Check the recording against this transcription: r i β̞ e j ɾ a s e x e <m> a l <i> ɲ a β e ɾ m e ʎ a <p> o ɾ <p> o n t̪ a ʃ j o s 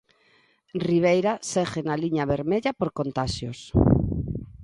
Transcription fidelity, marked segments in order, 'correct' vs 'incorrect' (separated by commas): incorrect, correct, correct, incorrect